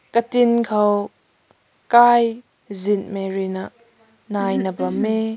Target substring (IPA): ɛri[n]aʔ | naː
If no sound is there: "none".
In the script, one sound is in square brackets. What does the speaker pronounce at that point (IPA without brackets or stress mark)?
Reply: n